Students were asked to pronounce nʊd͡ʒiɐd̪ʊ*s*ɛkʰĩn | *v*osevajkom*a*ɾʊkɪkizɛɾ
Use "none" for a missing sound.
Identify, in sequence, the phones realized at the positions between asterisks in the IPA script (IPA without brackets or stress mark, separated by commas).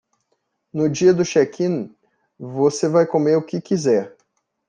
ʃ, v, e